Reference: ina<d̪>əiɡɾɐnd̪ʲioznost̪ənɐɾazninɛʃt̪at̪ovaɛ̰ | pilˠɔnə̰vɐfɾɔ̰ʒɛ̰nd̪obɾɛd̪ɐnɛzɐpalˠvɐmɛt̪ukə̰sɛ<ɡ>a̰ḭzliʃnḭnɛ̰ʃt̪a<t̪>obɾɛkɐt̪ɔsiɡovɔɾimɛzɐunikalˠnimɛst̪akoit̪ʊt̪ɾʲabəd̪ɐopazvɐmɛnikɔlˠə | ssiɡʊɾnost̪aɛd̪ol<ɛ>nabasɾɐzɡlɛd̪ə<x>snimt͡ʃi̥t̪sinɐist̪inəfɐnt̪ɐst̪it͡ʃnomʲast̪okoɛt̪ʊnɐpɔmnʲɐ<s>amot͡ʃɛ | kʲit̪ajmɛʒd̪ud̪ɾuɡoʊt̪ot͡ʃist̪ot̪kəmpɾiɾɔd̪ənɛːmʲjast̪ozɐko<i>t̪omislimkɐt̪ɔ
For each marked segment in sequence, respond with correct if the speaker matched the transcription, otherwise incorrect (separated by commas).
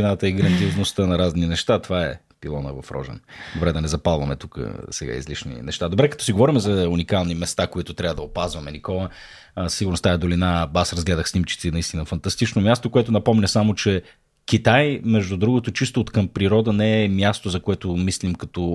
incorrect, correct, incorrect, incorrect, correct, correct, incorrect